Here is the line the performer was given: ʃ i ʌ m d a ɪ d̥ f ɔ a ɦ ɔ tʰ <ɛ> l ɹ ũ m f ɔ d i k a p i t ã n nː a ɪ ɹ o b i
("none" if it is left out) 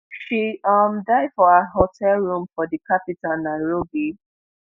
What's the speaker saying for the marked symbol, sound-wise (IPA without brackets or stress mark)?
ɛ